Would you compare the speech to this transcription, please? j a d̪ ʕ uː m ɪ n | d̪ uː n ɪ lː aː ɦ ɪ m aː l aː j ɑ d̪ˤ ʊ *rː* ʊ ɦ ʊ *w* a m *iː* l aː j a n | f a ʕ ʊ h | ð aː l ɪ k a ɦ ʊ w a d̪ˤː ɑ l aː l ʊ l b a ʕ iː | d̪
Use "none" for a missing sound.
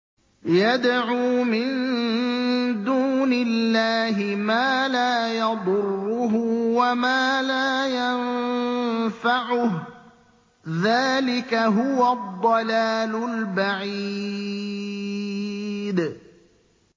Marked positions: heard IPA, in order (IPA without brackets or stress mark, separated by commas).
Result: rː, w, aː